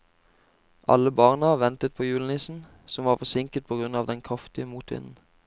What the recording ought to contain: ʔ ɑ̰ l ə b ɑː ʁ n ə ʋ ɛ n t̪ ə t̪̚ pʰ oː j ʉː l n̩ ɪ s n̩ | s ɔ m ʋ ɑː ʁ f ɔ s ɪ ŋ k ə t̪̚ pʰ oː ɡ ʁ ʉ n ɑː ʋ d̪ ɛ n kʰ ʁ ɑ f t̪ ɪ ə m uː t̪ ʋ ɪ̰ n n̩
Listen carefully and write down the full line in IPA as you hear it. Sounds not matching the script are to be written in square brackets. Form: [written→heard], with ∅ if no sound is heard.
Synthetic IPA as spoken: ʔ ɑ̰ l ə b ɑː ʁ n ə ʋ ɛ n t̪ ə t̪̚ pʰ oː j ʉː l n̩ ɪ s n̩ | s ɔ m ʋ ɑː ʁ f ɔ s ɪ ŋ k ə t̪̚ pʰ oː ɡ ʁ ʉ n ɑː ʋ d̪ ɛ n kʰ ʁ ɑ f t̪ ɪ ə m uː t̪ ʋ ɪ̰ n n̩